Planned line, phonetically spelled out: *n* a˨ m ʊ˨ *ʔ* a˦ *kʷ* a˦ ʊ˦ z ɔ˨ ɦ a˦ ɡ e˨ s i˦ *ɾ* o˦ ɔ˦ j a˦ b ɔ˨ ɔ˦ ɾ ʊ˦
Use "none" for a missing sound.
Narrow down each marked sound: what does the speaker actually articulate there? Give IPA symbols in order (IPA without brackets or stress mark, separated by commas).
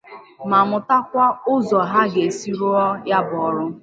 m, t, kʷ, ɾ